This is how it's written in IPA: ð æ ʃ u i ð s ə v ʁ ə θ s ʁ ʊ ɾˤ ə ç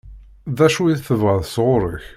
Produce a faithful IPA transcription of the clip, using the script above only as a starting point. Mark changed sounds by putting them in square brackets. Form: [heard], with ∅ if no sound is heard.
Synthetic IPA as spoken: ð æ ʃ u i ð [θ] ə v ʁ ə [ð] s ʁ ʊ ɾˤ ə ç